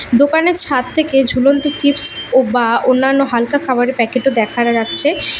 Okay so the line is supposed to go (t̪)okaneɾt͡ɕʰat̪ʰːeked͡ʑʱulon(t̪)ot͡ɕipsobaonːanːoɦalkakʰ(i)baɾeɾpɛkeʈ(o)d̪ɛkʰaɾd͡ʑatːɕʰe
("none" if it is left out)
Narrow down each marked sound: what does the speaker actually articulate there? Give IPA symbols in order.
d̪, t̪, a, o

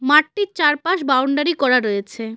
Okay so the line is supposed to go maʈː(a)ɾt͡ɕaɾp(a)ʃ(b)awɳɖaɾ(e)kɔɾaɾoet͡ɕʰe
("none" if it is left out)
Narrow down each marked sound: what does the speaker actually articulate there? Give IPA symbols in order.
i, a, b, i

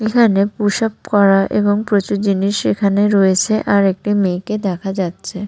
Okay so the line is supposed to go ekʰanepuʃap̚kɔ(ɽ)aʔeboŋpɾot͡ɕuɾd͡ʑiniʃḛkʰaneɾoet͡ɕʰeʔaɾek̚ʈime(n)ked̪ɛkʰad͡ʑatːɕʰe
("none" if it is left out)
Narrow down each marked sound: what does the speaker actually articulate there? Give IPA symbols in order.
ɾ, none

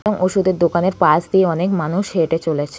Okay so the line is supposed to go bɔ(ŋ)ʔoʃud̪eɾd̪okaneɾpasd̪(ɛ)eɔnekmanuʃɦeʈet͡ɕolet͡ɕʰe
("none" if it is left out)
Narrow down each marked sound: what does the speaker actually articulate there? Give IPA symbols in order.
ŋ, i

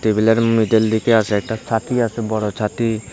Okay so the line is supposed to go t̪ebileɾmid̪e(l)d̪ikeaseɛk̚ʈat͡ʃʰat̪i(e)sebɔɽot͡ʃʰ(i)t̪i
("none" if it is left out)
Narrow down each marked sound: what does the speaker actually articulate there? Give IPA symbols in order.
l, a, a

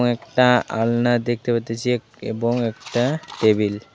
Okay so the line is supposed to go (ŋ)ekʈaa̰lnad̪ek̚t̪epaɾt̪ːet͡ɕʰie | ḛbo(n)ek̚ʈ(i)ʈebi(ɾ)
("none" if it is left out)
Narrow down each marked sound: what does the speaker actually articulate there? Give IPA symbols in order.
ŋ, ŋ, a, l

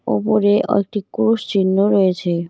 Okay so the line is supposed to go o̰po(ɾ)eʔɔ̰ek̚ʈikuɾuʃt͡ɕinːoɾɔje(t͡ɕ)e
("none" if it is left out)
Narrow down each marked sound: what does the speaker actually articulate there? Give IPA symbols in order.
ɾ, t͡ɕʰ

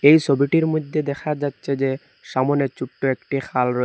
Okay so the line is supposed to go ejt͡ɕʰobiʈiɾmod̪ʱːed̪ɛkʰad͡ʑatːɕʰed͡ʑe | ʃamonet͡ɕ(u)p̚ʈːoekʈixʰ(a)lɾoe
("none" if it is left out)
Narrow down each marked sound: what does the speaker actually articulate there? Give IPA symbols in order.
u, a

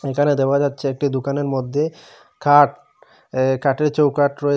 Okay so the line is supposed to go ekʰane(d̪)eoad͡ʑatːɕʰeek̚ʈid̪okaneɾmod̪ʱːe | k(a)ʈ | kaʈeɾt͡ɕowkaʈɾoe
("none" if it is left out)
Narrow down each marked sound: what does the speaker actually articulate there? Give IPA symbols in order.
d̪, a

